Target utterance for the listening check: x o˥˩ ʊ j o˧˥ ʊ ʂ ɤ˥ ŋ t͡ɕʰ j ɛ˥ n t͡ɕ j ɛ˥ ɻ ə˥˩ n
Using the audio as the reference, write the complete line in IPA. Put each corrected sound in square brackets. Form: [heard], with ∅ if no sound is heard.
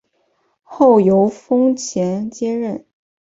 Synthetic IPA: x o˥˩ ʊ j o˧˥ ʊ [f] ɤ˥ ŋ t͡ɕʰ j [ɛ˧˥] n t͡ɕ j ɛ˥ ɻ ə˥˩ n